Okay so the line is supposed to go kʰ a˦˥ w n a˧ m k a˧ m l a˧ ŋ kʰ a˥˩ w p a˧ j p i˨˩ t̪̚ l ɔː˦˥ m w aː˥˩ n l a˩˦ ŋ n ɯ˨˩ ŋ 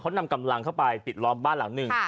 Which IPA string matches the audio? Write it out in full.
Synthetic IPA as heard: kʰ a˦˥ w n a˧ m k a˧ m l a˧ ŋ kʰ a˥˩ w p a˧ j p i˨˩ t̪̚ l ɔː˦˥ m b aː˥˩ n l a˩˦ ŋ n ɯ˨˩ ŋ